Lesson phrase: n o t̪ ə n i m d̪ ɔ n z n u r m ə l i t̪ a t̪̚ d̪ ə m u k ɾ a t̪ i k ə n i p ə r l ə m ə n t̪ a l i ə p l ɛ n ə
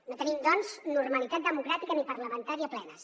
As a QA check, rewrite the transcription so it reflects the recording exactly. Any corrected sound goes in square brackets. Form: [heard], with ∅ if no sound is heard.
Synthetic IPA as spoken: n o t̪ ə n i m d̪ ɔ n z n u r m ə l i t̪ a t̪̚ d̪ ə m u k ɾ a t̪ i k ə n i p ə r l ə m ə n t̪ a [ɾ] i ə p l ɛ n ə